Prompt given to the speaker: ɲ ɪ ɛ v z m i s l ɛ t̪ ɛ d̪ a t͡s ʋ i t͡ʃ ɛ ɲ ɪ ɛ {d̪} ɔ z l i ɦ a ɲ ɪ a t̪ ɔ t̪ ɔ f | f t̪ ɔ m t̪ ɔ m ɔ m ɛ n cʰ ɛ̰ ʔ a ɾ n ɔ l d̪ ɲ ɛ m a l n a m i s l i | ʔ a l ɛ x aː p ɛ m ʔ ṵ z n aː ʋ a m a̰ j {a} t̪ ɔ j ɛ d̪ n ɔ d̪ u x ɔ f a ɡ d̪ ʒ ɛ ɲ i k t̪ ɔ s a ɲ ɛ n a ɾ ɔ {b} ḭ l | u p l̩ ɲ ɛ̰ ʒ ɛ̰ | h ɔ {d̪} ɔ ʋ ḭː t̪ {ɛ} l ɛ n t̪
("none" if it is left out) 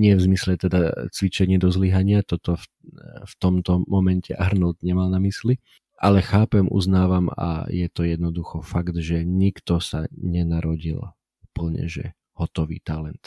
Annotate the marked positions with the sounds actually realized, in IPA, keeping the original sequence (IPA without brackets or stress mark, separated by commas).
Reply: d̪, ɛ, ɟ, t̪, a